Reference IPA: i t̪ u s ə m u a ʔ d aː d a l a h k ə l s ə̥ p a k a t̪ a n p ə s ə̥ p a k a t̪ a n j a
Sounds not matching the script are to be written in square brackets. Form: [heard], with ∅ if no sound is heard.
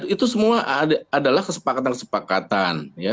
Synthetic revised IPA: i t̪ u s ə m u a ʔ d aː d a l a h k ə [∅] s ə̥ p a k a t̪ a n [k] ə s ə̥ p a k a t̪ a n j a